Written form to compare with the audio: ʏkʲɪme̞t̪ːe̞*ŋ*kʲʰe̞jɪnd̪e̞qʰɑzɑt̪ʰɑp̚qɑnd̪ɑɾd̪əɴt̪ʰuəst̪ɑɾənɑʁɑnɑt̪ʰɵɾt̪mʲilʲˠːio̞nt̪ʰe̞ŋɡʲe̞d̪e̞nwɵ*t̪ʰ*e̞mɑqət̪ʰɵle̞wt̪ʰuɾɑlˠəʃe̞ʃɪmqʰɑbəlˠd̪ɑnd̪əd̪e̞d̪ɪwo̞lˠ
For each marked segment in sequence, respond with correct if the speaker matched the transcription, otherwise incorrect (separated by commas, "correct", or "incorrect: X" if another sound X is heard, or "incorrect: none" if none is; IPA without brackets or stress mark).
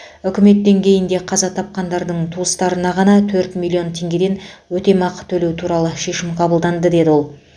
correct, incorrect: t̪